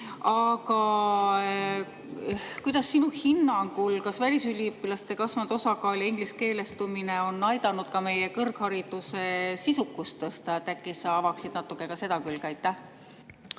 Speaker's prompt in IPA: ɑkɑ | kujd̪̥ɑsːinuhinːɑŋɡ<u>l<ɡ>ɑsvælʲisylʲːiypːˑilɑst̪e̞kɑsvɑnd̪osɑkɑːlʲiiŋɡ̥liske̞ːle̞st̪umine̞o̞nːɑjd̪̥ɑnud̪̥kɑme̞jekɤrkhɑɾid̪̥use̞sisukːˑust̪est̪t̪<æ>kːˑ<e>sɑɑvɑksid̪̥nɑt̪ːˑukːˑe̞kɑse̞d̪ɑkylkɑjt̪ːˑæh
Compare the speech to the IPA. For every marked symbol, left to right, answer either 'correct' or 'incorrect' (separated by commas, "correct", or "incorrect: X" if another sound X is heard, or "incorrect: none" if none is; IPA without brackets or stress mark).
correct, incorrect: k, correct, incorrect: i